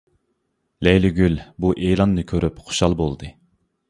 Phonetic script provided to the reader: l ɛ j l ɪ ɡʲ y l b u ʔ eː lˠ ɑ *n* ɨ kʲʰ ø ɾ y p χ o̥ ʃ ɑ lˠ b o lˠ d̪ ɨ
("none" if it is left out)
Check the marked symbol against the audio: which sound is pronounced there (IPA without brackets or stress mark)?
nː